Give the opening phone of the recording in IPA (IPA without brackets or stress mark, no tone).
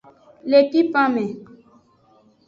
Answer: l